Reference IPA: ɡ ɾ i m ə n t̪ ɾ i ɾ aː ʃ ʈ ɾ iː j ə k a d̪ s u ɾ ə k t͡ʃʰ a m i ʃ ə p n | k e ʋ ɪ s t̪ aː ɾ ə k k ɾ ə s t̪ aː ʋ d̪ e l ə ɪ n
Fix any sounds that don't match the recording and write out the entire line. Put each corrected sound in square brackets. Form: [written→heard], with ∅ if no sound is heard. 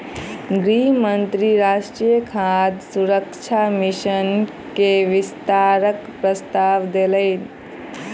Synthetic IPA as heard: ɡ ɾ i m ə n t̪ ɾ i ɾ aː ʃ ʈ ɾ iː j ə [k→kʰ] a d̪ s u ɾ ə k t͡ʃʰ a m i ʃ ə [p→∅] n | k e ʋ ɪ s t̪ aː ɾ ə k [k→p] ɾ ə s t̪ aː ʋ d̪ e l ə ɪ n